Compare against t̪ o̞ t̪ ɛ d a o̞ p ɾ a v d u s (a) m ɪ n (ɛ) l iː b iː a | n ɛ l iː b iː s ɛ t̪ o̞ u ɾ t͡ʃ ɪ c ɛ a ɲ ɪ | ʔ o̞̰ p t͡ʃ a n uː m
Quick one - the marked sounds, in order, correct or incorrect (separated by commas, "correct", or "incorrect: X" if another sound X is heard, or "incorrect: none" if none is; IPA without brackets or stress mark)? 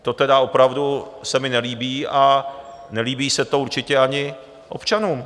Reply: incorrect: ɛ, correct